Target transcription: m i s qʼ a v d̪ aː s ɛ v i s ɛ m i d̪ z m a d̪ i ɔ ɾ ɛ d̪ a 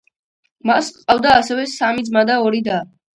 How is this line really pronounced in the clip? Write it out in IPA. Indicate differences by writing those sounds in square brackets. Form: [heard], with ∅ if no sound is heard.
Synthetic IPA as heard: m [a] s qʼ a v d̪ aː s ɛ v [ɛ] s [a] m i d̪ z m a d̪ [a] ɔ ɾ [i] d̪ a